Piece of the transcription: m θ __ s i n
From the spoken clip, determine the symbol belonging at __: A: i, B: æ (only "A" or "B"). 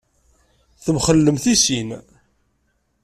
A